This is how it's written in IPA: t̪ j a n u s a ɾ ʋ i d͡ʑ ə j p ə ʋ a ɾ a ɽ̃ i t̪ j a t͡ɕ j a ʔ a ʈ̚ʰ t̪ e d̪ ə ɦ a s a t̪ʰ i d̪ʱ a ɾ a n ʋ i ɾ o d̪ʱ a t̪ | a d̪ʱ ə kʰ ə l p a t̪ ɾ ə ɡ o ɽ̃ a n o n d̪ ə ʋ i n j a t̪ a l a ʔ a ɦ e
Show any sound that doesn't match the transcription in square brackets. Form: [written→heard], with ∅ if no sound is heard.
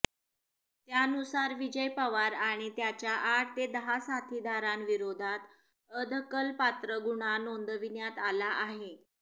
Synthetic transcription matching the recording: t̪ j a n u s a ɾ ʋ i d͡ʑ ə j p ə ʋ a ɾ a ɽ̃ i t̪ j a t͡ɕ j a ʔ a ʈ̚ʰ t̪ e d̪ ə ɦ a s a t̪ʰ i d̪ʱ a ɾ a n ʋ i ɾ o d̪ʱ a t̪ | [a→ə] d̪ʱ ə [kʰ→k] ə l p a t̪ ɾ ə ɡ [o→u] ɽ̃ a n o n d̪ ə ʋ i n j a t̪ a l a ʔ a ɦ e